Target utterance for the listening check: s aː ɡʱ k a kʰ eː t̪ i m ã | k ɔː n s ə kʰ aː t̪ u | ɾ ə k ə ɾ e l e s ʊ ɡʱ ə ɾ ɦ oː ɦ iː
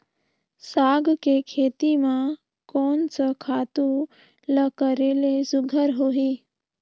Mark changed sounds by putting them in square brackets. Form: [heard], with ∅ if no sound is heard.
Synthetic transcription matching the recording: s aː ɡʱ k [e] kʰ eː t̪ i m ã | k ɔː n s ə kʰ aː t̪ u | [l] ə k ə ɾ e l e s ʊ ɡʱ ə ɾ ɦ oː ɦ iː